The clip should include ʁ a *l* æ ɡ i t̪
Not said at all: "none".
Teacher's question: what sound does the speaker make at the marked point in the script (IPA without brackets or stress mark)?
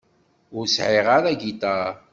ɾ